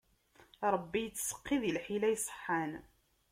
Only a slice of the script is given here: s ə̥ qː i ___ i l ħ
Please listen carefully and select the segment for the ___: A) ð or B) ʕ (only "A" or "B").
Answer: A